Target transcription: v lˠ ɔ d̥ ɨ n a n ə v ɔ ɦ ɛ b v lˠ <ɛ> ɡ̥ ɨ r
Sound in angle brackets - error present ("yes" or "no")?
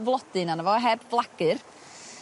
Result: yes